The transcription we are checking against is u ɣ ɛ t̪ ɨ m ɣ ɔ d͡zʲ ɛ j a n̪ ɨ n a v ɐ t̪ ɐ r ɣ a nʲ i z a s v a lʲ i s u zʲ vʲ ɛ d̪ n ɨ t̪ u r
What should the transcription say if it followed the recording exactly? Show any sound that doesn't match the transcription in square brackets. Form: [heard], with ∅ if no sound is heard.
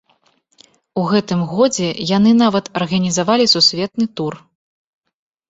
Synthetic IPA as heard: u ɣ ɛ t̪ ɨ m ɣ ɔ d͡zʲ ɛ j a n̪ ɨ n a v ɐ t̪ ɐ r ɣ [ɐ] nʲ i z a [∅] v a lʲ i s u [sʲ] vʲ ɛ [t̪] n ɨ t̪ u r